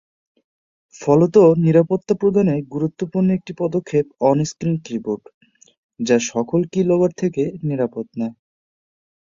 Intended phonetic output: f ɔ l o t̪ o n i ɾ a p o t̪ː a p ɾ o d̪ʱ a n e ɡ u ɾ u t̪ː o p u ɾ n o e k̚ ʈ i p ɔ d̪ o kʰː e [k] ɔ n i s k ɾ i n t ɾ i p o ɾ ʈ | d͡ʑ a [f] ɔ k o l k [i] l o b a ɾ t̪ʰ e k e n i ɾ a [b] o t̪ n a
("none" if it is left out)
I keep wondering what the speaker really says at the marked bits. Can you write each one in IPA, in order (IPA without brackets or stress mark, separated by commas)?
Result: p, ʃ, i, p